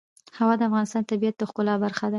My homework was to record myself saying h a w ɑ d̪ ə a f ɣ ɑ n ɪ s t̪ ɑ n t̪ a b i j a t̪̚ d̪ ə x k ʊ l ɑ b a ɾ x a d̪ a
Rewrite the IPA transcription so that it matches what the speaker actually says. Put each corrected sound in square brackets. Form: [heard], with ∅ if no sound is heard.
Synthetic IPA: h a w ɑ d̪ ə a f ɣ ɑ n ɪ s t̪ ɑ n t̪ a b i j a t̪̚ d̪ ə x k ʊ l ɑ b a ɾ x a d̪ a